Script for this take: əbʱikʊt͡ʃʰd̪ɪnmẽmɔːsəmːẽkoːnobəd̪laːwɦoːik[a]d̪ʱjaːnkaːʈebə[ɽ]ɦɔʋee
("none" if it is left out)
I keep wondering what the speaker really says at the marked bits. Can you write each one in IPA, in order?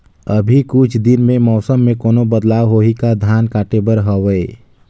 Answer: a, ɾ

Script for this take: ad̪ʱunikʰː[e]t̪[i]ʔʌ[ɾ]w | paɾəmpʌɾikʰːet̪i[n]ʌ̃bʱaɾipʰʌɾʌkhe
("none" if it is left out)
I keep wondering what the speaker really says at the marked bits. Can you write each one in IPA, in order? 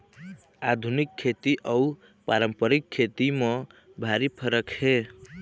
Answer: e, i, none, m

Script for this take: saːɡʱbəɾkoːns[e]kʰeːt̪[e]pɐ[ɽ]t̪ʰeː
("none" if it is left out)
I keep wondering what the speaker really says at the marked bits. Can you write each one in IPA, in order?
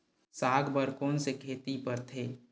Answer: e, i, ɾ

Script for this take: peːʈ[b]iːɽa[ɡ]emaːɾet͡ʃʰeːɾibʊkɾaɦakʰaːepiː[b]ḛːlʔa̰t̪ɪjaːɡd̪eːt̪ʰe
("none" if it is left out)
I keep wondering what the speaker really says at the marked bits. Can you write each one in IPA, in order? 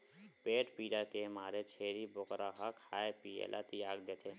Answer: p, k, none

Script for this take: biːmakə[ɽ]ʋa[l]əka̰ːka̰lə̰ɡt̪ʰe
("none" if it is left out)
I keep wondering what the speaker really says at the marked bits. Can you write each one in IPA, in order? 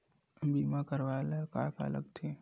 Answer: ɾ, l

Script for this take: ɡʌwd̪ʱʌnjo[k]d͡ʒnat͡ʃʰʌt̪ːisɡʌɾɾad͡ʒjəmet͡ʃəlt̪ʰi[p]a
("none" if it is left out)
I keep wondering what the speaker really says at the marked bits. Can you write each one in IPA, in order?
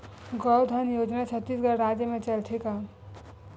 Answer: none, k

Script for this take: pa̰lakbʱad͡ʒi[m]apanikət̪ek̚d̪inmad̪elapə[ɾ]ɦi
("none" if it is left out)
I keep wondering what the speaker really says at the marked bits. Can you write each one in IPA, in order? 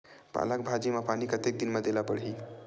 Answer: m, ɽ

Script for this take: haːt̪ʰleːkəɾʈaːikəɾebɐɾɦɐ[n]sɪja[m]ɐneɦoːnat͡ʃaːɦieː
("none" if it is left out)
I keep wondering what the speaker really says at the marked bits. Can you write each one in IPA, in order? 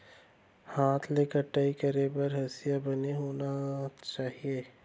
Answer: none, b

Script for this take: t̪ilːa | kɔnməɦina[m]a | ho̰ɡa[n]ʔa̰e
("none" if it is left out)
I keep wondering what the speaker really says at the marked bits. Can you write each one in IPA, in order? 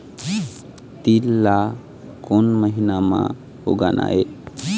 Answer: m, n

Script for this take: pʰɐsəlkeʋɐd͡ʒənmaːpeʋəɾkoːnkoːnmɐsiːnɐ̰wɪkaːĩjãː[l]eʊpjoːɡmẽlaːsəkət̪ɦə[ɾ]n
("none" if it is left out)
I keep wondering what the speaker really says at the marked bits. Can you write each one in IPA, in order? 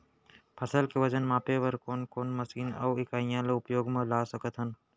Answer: l, none

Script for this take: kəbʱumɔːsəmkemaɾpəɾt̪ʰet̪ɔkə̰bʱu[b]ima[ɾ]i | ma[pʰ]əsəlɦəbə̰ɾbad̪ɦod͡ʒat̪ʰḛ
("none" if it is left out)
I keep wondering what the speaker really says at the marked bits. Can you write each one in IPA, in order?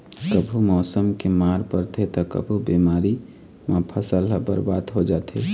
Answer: b, ɾ, pʰ

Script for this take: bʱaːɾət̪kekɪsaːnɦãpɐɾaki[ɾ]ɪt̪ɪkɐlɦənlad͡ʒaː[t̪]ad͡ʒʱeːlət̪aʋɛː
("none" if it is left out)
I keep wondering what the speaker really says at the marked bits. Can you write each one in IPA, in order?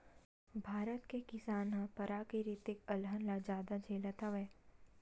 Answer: ɾ, d̪

